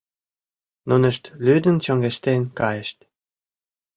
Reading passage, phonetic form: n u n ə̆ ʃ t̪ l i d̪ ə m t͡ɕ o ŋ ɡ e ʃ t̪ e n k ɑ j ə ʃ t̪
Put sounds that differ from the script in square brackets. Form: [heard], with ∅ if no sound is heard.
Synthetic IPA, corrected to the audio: n u n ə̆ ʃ t̪ l [y] d̪ ə [n] t͡ɕ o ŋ ɡ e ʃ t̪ e n k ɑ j ə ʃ t̪